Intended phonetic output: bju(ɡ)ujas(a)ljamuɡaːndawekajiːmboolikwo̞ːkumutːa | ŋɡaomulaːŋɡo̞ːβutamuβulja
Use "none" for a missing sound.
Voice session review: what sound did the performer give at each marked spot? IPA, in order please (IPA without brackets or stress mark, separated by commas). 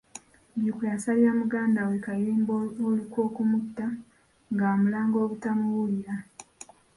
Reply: k, a